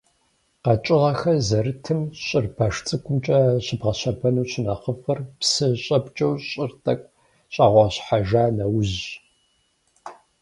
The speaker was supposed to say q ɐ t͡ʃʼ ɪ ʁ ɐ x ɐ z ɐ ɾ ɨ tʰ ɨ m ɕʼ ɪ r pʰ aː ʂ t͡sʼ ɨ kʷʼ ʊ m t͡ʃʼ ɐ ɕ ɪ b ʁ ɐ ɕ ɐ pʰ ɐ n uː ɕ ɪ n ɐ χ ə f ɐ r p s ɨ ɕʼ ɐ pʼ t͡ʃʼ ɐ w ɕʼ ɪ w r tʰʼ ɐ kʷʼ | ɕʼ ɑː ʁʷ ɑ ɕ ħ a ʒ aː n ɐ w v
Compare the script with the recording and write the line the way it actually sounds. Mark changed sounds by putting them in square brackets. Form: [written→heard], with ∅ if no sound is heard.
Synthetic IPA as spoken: q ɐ t͡ʃʼ ɪ ʁ ɐ x ɐ z ɐ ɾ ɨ tʰ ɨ m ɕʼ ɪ r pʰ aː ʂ t͡sʼ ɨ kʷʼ ʊ m t͡ʃʼ ɐ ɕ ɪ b ʁ ɐ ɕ ɐ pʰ ɐ n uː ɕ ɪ n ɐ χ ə f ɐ r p s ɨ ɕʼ ɐ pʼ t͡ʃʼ ɐ w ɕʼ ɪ [w→∅] r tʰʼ ɐ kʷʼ | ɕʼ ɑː ʁʷ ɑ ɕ ħ a ʒ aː n ɐ w [v→ʑ]

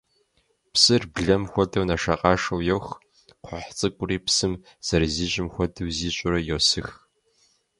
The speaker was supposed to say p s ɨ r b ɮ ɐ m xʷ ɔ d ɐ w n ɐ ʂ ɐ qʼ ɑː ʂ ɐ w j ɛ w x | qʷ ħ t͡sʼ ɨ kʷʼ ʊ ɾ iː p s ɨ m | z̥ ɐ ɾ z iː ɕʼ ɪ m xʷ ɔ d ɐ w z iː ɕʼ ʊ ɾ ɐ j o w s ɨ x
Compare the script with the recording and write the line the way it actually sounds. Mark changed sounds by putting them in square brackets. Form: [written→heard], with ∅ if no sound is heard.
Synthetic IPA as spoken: p s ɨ r b ɮ ɐ m xʷ ɔ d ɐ w n ɐ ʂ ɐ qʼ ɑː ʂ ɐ w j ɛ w x | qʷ ħ t͡sʼ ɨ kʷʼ ʊ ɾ iː p s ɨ m | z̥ ɐ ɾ z iː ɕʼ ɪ m xʷ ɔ d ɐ w z iː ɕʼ ʊ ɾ ɐ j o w s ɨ x

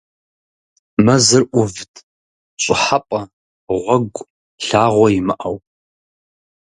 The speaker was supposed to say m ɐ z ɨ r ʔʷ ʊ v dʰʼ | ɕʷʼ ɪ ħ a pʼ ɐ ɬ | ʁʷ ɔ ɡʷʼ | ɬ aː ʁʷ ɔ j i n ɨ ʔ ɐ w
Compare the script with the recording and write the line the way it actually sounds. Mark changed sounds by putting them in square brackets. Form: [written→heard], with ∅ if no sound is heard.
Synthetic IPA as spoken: m ɐ z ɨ r ʔʷ ʊ v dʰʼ | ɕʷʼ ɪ ħ a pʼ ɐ [ɬ→∅] | ʁʷ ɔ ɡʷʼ | ɬ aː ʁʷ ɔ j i [n→m] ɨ ʔ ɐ w

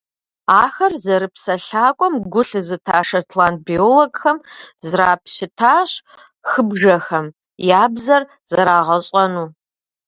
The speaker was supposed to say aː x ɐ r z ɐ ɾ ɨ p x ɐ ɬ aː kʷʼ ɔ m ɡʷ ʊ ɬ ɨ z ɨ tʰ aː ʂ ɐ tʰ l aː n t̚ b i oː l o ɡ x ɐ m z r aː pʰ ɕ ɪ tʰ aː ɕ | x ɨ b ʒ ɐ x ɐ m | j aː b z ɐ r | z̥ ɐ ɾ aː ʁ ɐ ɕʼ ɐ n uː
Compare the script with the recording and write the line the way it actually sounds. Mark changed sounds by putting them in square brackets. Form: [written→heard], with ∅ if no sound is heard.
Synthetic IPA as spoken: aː x ɐ r z ɐ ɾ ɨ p [x→s] ɐ ɬ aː kʷʼ ɔ m ɡʷ ʊ ɬ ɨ z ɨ tʰ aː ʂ ɐ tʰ l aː n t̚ b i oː l o ɡ x ɐ m z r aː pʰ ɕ ɪ tʰ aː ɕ | x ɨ b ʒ ɐ x ɐ m | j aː b z ɐ r | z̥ ɐ ɾ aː ʁ ɐ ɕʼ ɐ n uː

